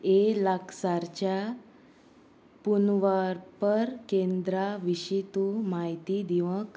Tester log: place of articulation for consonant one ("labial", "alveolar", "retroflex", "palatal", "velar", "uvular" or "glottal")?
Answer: alveolar